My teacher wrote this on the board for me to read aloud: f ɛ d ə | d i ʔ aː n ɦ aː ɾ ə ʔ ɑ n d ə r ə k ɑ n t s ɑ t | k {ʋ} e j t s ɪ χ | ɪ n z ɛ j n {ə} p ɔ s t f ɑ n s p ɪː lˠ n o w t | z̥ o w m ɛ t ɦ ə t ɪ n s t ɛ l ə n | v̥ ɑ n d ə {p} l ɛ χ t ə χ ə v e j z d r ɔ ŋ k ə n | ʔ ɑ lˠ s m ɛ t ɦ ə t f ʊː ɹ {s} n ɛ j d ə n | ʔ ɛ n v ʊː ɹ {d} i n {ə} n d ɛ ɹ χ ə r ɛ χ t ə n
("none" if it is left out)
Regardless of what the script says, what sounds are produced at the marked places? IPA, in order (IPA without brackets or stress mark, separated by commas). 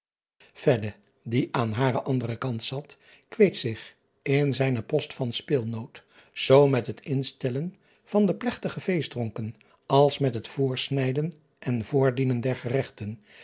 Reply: ʋ, ə, p, s, d, ə